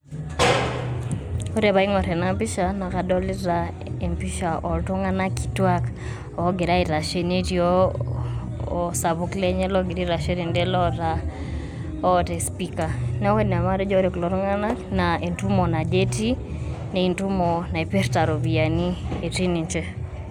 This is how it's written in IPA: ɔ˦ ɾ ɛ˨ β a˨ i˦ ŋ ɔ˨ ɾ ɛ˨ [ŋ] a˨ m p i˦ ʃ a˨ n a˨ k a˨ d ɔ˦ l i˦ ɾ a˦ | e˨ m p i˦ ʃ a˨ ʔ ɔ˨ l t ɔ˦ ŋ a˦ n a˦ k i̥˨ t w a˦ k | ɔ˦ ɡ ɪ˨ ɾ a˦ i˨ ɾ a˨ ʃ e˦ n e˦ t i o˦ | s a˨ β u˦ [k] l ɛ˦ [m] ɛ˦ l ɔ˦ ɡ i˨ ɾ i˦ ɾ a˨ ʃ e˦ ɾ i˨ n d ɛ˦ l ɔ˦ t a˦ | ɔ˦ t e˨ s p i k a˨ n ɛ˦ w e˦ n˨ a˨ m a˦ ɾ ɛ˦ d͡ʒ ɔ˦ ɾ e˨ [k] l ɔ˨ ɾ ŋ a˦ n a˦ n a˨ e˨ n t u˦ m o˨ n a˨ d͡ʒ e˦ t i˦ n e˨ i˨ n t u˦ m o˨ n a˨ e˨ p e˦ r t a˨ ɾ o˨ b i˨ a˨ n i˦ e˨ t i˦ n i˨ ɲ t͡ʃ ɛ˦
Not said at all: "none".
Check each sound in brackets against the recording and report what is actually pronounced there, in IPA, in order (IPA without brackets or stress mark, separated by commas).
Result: n, k, ɲ, k